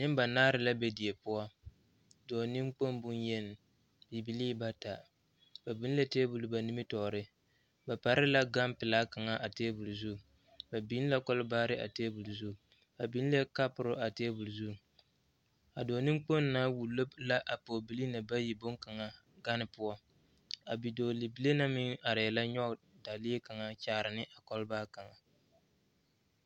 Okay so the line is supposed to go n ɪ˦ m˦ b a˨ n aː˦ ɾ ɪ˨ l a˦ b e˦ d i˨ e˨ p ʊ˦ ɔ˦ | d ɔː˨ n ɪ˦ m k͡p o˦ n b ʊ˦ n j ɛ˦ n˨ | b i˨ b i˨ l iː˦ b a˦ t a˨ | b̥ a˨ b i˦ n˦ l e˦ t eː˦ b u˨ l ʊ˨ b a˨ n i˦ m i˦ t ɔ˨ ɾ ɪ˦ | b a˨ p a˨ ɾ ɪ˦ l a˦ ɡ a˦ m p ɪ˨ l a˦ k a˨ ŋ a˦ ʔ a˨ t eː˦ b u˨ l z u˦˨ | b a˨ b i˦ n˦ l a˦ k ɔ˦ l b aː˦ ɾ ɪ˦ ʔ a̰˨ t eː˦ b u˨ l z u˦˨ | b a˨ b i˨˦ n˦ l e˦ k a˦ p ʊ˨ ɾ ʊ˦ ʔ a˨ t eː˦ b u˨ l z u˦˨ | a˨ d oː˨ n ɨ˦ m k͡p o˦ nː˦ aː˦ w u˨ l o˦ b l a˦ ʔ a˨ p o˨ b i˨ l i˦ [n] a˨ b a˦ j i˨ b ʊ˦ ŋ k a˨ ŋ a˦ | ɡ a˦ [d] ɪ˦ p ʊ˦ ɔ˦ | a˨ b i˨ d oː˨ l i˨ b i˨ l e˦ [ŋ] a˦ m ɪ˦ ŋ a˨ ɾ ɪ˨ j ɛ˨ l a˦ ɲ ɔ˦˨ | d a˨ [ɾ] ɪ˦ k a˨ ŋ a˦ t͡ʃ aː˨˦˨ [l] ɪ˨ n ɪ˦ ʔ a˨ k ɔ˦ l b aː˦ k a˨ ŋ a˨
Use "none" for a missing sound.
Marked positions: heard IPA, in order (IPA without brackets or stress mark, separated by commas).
n, n, n, l, ɾ